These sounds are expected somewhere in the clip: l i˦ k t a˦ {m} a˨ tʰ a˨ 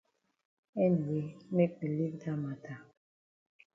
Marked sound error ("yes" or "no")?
no